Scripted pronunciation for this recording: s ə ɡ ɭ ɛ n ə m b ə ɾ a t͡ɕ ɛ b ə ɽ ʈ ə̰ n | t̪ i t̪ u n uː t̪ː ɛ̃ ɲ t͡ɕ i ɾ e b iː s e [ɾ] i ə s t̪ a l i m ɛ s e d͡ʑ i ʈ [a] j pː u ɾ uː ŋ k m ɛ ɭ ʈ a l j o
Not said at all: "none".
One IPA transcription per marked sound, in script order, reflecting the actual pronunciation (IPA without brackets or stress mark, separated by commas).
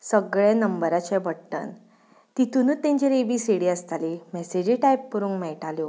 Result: ɽ, a